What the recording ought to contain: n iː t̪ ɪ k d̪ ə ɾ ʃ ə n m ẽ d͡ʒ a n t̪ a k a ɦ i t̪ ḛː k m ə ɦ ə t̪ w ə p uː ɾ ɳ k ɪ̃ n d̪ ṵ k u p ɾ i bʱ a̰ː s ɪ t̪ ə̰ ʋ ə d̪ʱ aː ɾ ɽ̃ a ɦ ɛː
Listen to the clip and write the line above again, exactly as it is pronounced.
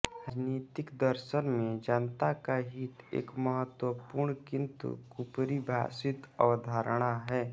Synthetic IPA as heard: n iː t̪ ɪ k d̪ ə ɾ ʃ ə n m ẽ d͡ʒ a n t̪ a k a ɦ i t̪ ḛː k m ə ɦ ə t̪ w ə p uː ɾ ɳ k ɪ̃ n t̪ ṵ k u p ɾ i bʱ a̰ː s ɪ t̪ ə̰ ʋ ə d̪ʱ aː ɾ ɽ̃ a ɦ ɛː